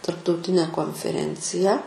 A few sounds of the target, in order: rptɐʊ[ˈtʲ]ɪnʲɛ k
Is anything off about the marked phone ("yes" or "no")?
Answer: no